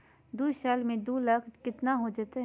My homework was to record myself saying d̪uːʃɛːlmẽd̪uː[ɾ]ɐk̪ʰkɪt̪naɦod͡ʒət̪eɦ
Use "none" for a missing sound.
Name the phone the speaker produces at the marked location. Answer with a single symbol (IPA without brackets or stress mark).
l